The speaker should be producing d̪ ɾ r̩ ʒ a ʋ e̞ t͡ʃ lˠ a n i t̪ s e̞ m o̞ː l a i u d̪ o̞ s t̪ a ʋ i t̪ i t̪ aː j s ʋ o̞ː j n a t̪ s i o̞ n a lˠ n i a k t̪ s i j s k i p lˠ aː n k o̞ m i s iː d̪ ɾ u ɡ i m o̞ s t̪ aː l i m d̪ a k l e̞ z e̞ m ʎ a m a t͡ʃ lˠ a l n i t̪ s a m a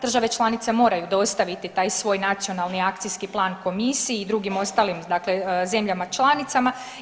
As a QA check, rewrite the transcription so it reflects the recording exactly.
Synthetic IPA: d̪ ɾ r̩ ʒ a ʋ e̞ t͡ʃ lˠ a n i t̪ s e̞ m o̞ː ɾ a j u d̪ o̞ s t̪ a ʋ i t̪ i t̪ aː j s ʋ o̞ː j n a t̪ s i o̞ n a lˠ n i a k t̪ s i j s k i p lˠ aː n k o̞ m i s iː d̪ ɾ u ɡ i m o̞ s t̪ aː l i m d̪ a k l e̞ z e̞ m ʎ a m a t͡ʃ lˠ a n i t̪ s a m a